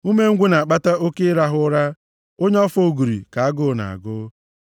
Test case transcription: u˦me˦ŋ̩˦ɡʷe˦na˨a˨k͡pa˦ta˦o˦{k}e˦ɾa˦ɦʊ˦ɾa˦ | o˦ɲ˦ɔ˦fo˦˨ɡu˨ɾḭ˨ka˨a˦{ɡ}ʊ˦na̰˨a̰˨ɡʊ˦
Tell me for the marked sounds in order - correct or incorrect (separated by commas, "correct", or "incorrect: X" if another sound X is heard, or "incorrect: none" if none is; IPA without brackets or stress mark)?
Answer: correct, correct